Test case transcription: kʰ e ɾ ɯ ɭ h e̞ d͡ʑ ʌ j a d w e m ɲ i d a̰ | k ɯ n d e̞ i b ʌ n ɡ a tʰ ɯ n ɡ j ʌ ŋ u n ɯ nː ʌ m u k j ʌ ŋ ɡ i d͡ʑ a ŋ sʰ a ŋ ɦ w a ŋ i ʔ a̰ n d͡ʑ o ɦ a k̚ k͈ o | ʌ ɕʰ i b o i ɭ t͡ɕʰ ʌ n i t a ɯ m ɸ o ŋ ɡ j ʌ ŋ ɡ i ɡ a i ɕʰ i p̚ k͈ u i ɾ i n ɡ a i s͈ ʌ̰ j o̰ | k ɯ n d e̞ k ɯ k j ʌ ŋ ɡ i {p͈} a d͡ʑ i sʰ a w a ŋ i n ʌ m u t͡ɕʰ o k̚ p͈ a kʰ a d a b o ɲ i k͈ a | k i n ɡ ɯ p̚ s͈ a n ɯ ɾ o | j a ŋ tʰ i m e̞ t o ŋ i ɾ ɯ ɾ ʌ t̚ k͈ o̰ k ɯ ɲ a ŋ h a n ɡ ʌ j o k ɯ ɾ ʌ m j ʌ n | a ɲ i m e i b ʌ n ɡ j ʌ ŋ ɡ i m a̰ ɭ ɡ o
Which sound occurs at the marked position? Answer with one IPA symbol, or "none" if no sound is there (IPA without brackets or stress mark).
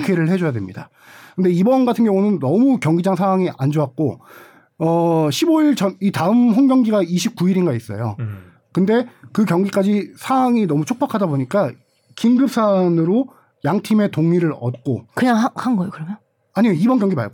k͈